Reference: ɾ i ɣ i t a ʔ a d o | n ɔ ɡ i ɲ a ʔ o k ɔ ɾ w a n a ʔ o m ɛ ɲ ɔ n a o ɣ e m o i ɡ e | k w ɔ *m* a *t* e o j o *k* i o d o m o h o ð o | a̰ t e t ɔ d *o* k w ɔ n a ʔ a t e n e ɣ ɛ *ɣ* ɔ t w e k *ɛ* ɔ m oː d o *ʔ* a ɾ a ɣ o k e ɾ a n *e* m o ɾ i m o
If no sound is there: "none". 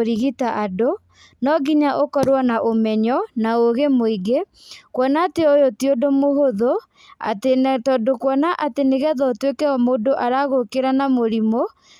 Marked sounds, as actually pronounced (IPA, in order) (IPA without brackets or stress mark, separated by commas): n, t, t, o, ð, ɛ, ʔ, a